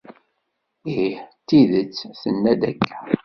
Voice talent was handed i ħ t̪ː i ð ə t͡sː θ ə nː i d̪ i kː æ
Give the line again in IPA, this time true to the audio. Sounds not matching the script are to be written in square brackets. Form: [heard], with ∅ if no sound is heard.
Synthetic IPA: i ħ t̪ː i ð ə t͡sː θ ə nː [æ] d̪ [æ] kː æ